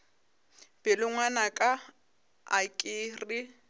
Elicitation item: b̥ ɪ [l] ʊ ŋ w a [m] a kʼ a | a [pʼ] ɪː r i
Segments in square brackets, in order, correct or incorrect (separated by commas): correct, incorrect, incorrect